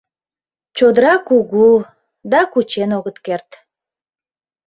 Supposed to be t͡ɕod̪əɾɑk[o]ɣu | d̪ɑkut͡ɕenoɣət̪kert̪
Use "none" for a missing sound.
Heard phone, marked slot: u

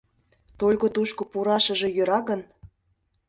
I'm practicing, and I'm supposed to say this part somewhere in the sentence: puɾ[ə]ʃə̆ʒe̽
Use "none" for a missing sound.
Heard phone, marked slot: ɑ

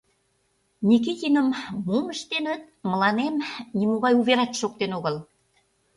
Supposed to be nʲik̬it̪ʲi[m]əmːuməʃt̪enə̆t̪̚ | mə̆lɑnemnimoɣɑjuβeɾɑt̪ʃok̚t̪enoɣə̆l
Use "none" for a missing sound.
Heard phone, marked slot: n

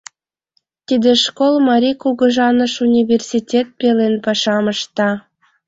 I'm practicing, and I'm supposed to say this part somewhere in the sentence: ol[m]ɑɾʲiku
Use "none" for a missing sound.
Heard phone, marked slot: m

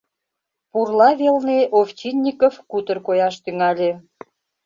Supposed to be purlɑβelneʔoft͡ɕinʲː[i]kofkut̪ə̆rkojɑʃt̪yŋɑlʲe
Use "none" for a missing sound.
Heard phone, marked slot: i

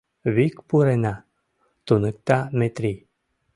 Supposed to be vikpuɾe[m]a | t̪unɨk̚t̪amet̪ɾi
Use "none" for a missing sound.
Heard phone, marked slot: n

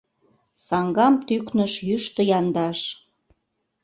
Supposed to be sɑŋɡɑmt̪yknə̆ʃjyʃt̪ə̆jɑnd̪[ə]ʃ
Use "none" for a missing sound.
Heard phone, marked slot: ɑ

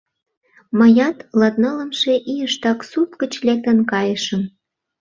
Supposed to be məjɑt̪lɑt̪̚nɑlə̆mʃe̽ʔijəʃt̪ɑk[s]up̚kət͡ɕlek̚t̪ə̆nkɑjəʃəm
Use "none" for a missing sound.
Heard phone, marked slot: s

